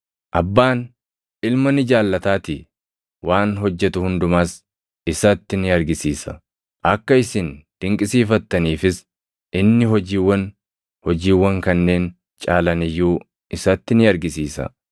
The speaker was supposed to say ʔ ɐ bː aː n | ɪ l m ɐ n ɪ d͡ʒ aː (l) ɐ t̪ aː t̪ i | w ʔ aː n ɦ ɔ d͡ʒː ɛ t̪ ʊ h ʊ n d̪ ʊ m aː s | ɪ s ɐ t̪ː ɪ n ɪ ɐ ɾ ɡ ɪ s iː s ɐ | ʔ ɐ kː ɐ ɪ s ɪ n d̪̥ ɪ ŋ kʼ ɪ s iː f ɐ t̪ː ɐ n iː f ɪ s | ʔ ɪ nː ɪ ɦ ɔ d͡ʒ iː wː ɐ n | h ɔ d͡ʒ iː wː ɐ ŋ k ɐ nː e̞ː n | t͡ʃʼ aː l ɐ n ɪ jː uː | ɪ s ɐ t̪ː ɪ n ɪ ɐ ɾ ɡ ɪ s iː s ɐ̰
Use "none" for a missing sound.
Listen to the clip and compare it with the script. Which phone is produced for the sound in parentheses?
lː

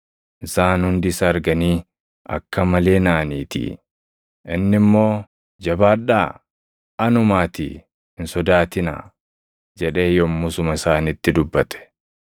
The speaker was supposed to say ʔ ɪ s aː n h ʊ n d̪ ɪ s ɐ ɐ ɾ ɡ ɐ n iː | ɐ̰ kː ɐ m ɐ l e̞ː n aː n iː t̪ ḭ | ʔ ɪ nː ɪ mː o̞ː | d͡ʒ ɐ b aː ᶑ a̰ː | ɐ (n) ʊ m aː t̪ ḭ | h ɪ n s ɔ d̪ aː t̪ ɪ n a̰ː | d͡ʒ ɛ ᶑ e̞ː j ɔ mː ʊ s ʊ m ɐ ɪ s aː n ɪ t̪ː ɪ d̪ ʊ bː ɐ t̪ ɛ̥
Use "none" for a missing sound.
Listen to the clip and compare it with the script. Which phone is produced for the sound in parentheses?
n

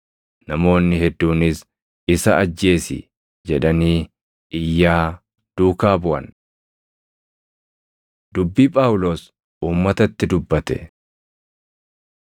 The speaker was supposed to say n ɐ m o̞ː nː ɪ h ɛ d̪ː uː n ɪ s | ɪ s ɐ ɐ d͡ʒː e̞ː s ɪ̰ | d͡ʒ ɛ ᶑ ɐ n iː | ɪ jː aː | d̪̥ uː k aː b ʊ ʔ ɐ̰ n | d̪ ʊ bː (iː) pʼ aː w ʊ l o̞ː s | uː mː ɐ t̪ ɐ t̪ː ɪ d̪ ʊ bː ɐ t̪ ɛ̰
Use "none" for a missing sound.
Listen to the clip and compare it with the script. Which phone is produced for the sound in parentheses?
iː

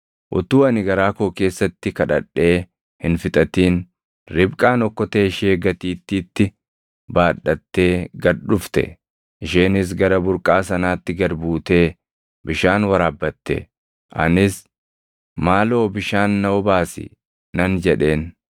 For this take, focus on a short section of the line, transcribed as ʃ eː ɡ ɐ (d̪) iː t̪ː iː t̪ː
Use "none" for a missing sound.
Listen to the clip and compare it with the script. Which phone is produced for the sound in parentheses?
t̪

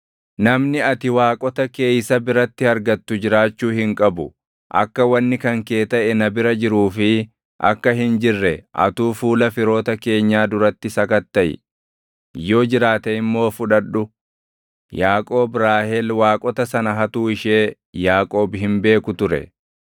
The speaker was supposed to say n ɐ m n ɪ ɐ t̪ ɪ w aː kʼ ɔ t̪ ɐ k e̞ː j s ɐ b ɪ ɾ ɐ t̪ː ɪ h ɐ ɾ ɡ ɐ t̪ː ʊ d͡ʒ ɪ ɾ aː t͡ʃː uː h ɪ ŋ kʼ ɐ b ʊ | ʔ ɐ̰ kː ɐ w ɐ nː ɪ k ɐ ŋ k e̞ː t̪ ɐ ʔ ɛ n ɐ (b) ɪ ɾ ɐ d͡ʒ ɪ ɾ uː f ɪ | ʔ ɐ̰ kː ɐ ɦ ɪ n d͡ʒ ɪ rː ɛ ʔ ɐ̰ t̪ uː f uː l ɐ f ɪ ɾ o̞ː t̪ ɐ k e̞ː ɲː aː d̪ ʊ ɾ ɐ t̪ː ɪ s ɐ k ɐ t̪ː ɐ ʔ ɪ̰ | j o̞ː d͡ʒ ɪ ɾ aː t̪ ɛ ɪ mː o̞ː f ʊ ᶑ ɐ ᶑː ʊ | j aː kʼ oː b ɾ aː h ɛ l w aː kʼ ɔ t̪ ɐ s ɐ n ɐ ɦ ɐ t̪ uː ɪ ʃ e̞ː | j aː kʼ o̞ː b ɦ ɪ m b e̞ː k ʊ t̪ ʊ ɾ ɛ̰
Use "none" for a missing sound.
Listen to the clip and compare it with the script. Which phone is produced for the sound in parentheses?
b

